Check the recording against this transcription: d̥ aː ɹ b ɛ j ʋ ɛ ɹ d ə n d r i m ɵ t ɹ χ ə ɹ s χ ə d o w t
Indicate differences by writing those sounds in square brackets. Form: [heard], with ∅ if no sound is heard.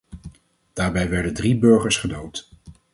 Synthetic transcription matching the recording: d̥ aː ɹ b ɛ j ʋ ɛ ɹ d ə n d r i [b] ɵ [∅] ɹ χ ə ɹ s χ ə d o w t

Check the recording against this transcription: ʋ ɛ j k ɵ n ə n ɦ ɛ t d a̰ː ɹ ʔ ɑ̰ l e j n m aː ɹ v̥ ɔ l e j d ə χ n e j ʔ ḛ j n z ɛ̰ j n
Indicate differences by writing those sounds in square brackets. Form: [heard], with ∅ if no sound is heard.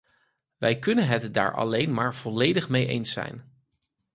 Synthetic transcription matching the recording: ʋ ɛ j k ɵ n ə n ɦ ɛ t d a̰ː ɹ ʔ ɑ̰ l e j n m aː ɹ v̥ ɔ l e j d ə χ [m] e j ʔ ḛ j n [s] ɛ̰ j n

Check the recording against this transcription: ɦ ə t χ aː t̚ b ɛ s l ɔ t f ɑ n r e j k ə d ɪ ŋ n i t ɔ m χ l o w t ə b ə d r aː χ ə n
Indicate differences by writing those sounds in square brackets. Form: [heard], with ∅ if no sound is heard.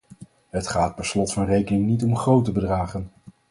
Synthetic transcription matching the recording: ɦ ə t χ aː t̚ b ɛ s l ɔ t f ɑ n r e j k ə [n] ɪ ŋ n i t ɔ m χ [r] o w t ə b ə d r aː χ ə n

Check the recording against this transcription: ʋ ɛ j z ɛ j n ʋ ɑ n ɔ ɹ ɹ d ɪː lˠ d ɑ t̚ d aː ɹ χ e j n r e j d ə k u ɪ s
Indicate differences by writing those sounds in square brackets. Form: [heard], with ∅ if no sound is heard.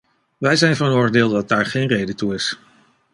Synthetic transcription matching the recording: ʋ ɛ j z ɛ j n [v] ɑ n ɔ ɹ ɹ d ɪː lˠ d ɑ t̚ d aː ɹ χ e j n r e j d ə [t] u ɪ s

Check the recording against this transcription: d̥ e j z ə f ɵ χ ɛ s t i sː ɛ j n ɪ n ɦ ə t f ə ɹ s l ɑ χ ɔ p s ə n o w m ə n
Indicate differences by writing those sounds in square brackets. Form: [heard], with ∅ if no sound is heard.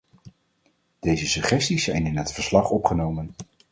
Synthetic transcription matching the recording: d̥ e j z ə [s] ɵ χ ɛ s t i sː ɛ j n ɪ n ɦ ə t f ə ɹ s l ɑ χ ɔ p [χ] ə n o w m ə n

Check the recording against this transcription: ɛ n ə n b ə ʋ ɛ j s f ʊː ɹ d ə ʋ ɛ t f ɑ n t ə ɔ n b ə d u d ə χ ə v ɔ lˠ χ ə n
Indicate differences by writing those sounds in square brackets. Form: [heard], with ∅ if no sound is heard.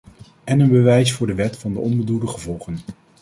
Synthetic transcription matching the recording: ɛ n ə n b ə ʋ ɛ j s f ʊː ɹ d ə ʋ ɛ t f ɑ n [d] ə ɔ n b ə d u d ə χ ə v ɔ lˠ χ ə n

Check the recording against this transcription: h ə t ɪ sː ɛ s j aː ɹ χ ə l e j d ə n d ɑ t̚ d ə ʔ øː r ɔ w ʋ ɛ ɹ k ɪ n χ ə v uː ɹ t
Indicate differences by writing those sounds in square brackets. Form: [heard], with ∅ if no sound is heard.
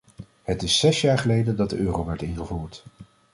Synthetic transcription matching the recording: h ə t ɪ sː ɛ s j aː ɹ χ ə l e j d ə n d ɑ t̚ d ə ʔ øː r [o] w ʋ ɛ ɹ [t] ɪ n χ ə v uː ɹ t

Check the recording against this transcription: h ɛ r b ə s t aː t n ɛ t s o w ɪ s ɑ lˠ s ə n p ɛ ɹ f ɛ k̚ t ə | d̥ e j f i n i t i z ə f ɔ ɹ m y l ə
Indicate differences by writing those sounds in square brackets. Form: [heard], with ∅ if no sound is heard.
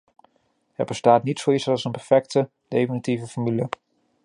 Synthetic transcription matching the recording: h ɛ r b ə s t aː t n [i] t s o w [i] s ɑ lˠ s ə n p ɛ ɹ f ɛ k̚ t ə | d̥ e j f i n i t i [v] ə f ɔ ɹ m y l ə

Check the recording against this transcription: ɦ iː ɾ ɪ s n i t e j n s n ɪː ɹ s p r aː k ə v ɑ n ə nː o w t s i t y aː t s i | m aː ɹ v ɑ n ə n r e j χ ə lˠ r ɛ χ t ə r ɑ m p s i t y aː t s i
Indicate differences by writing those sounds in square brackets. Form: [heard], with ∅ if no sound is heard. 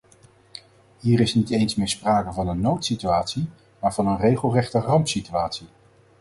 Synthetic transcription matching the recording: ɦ iː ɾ ɪ s n i t e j n s [m] ɪː ɹ s p r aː k ə v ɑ n ə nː o w t s i t y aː t s i | m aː ɹ v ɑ n ə n r e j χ ə lˠ r ɛ χ t ə r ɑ m p s i t y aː t s i

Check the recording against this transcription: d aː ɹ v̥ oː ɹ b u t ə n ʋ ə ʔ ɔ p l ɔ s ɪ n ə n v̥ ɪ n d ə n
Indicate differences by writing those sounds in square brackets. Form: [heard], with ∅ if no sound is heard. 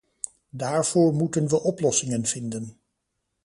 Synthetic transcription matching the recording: d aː ɹ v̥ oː ɹ [m] u t ə n ʋ ə ʔ ɔ p l ɔ s ɪ [ŋ] ə n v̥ ɪ n d ə n

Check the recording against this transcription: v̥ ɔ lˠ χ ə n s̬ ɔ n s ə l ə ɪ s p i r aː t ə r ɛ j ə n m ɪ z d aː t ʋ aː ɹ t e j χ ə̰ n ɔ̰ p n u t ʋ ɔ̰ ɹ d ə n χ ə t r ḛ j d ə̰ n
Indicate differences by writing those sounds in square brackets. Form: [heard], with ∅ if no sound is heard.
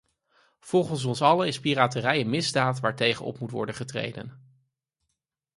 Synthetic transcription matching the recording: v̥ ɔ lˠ χ ə n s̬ ɔ n s [ɑ] l ə ɪ s p i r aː t ə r ɛ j ə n m ɪ z d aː t ʋ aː ɹ t e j χ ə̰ n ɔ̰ p [m] u t ʋ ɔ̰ ɹ d ə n χ ə t r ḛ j d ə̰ n

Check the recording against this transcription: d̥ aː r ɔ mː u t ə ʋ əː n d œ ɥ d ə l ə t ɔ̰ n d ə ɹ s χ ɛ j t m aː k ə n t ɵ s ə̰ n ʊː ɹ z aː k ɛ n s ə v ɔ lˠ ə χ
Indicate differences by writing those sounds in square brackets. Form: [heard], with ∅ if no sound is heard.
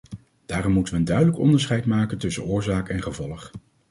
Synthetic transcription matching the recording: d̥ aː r ɔ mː u t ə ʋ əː n d œ ɥ d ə l ə [k] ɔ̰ n d ə ɹ s χ ɛ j t m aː k ə n t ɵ s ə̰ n ʊː ɹ z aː k ɛ n [χ] ə v ɔ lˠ ə χ

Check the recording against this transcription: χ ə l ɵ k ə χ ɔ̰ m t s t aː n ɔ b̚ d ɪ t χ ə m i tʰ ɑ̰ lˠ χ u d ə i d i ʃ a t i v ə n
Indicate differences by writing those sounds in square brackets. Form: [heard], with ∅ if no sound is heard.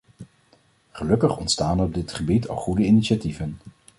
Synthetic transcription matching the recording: χ ə l ɵ k ə χ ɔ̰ [n] t s t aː n ɔ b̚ d ɪ t χ ə [b] i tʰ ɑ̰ lˠ χ u d ə i [n] i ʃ a t i v ə n

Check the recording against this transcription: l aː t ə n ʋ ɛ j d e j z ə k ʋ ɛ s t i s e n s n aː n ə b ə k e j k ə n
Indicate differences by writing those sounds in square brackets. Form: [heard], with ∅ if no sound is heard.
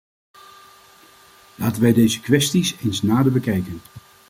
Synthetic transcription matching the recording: l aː t ə n ʋ ɛ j d e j z ə k ʋ ɛ s t i s e n s n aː [d] ə b ə k [ɛ] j k ə n

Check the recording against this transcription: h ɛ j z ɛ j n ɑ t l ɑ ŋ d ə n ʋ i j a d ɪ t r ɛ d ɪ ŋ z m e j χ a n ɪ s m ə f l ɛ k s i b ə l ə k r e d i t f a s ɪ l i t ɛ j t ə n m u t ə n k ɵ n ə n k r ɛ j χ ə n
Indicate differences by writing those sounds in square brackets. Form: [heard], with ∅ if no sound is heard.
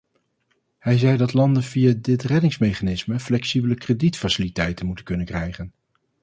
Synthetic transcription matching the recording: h ɛ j z ɛ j [d] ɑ t l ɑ [n] d ə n [v] i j a d ɪ t r ɛ d ɪ ŋ [s] m e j χ a n ɪ s m ə f l ɛ k s i b ə l ə k r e d i t f a s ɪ l i t ɛ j t ə n m u t ə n k ɵ n ə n k r ɛ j χ ə n

